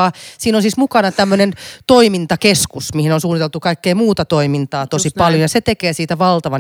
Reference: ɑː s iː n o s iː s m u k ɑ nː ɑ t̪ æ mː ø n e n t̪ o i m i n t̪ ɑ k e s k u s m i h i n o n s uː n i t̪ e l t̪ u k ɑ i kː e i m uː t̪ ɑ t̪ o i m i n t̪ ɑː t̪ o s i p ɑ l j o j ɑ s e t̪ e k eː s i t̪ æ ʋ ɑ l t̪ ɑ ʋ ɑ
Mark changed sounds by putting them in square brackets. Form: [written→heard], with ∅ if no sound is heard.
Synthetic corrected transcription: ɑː s iː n o s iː s m u k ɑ [nː→n] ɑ t̪ æ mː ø n e n t̪ o i m i n t̪ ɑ k e s k u s m i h i n o n s uː n i t̪ e l t̪ u k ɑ i kː e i m uː t̪ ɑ t̪ o i m i n t̪ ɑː t̪ o s i p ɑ l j o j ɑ s e t̪ e k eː s [i→iː] t̪ æ ʋ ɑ l t̪ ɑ ʋ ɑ